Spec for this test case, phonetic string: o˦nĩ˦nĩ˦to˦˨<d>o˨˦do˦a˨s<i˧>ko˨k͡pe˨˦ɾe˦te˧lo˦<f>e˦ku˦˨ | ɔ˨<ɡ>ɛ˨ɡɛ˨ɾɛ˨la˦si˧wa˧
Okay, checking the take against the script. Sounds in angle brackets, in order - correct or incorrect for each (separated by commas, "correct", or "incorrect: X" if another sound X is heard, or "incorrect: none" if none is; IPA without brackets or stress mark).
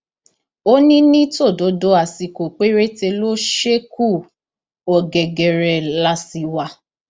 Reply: correct, correct, incorrect: ʃ, correct